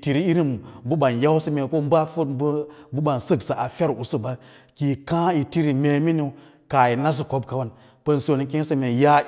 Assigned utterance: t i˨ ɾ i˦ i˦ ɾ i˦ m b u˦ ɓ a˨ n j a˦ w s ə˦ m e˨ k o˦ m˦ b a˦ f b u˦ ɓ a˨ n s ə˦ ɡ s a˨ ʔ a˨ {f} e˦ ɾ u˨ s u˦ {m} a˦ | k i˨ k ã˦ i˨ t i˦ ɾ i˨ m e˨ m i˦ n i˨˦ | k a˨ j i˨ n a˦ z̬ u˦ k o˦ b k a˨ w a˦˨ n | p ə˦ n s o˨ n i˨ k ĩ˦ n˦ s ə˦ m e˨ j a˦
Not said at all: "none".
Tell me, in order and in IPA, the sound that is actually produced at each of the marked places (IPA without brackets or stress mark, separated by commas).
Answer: f, b